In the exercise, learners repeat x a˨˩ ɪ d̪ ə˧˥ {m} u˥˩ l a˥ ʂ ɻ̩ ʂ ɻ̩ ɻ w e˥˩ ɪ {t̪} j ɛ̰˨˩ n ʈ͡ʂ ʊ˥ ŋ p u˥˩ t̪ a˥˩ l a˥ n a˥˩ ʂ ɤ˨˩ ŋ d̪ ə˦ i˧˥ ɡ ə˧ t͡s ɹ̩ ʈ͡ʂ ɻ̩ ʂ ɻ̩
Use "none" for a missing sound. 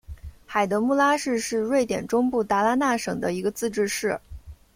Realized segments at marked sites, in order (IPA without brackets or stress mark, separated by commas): m, t̪